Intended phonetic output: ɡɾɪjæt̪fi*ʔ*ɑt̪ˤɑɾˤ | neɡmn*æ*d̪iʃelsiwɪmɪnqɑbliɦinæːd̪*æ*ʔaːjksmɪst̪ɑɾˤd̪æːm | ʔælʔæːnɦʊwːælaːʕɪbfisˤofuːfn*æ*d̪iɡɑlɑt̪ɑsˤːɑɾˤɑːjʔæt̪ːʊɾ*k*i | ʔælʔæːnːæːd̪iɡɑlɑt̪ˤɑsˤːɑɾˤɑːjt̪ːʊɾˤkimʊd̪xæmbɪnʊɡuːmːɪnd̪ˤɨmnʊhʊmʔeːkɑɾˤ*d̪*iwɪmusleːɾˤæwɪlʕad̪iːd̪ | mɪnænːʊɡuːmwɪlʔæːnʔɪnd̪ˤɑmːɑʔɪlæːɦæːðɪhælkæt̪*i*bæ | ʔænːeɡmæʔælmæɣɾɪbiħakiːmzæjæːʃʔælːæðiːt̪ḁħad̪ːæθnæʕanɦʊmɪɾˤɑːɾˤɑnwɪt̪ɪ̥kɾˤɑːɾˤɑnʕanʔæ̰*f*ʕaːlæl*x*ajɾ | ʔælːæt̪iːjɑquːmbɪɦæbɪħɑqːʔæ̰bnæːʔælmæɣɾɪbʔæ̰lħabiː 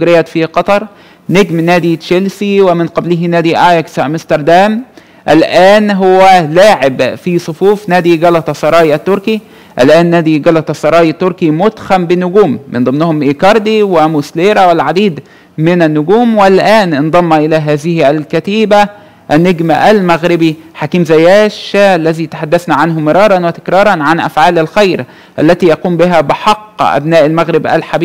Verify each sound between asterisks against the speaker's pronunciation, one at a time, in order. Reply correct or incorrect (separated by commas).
incorrect, incorrect, incorrect, incorrect, correct, correct, incorrect, correct, correct